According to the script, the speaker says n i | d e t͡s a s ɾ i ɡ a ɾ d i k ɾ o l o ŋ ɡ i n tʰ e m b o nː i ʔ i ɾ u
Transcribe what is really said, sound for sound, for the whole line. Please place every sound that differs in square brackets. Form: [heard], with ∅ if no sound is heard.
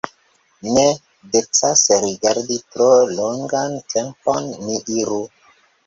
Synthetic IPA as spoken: n [e] | d e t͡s a s ɾ i ɡ a ɾ d i [t] ɾ o l o ŋ ɡ [a] n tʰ e m [p] o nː i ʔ i ɾ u